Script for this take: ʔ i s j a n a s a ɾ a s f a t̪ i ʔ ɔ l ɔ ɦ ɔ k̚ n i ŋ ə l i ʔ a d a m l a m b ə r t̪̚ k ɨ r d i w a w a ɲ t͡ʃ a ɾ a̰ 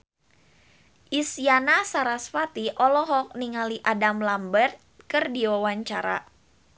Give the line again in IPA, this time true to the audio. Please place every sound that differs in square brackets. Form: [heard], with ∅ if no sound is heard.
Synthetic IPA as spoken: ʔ i s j a n a s a ɾ a s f a t̪ i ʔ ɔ l ɔ ɦ ɔ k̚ n i ŋ [a] l i ʔ a d a m l a m b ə r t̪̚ k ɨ r d i w a w a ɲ t͡ʃ a ɾ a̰